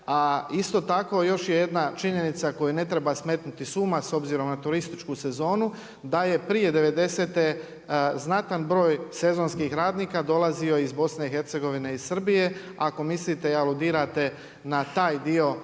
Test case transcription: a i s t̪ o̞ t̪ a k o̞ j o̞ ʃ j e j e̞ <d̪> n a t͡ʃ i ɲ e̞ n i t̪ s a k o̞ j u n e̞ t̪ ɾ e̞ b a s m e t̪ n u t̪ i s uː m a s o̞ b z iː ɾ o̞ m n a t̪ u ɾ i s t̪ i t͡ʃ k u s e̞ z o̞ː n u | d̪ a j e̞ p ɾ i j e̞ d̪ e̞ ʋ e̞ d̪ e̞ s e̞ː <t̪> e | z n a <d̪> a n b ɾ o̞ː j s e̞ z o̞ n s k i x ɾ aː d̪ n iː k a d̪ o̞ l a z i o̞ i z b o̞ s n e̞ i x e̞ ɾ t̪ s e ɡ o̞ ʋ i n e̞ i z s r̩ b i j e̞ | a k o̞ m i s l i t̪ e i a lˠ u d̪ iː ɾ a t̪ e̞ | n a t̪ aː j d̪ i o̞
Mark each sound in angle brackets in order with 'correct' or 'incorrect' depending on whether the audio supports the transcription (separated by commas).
correct, correct, incorrect